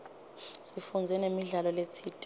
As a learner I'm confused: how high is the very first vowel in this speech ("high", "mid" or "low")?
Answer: high